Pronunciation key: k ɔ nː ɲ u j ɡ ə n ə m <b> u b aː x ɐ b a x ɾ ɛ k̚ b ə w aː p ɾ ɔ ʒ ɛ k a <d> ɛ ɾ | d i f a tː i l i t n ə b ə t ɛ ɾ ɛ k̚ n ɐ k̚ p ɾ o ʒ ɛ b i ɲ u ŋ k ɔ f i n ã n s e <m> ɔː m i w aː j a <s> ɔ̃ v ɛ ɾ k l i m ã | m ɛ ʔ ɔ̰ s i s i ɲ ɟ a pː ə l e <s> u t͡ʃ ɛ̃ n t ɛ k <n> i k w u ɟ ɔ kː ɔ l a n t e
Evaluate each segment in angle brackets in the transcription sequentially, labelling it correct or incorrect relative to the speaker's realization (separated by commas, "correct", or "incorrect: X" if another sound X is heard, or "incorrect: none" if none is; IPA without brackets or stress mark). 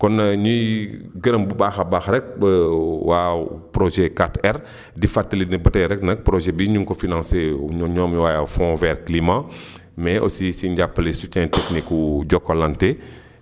correct, incorrect: t, incorrect: ɲ, incorrect: f, correct, correct